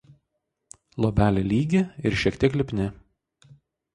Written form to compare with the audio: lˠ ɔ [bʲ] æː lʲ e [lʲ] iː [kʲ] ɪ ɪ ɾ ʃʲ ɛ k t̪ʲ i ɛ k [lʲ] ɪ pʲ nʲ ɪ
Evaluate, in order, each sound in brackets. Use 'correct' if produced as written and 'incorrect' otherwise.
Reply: correct, correct, incorrect, correct

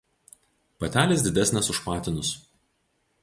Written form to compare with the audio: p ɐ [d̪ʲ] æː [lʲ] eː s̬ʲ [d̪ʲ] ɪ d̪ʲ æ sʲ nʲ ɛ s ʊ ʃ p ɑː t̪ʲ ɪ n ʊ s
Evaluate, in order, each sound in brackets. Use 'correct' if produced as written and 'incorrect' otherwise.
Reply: incorrect, correct, correct

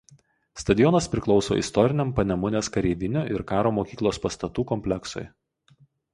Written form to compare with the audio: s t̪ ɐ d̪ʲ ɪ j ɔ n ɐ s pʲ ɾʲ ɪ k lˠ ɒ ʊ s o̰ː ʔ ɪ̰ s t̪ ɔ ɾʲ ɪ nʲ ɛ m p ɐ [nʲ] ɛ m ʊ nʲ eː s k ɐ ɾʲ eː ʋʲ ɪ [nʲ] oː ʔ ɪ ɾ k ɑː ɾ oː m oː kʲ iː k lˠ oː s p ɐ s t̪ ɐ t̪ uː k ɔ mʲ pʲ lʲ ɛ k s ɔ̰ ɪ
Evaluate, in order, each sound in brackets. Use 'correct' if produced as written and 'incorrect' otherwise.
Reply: correct, correct

